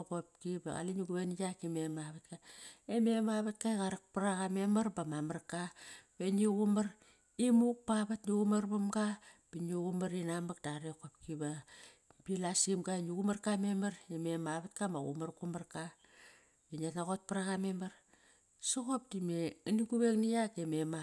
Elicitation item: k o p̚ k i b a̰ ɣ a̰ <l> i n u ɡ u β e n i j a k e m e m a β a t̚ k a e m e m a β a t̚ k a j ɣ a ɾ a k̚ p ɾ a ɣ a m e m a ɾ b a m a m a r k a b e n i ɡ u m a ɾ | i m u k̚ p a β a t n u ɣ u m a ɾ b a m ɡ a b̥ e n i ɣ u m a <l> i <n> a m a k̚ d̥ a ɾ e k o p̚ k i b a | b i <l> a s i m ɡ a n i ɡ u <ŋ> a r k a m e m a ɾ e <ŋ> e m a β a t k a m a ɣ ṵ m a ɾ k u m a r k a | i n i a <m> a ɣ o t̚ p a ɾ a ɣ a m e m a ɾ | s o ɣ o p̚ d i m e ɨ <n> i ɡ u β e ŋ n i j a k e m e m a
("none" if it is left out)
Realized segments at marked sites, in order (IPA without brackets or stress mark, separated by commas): l, ɾ, n, l, m, m, n, n